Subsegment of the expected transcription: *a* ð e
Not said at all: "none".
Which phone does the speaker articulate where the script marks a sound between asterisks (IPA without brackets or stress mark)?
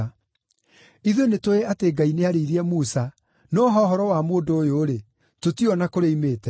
i